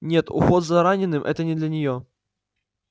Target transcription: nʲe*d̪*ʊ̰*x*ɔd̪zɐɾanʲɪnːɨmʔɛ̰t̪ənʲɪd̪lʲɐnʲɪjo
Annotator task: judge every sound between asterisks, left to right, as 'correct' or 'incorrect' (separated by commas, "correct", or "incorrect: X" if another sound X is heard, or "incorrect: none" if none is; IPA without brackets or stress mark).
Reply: incorrect: t̪, correct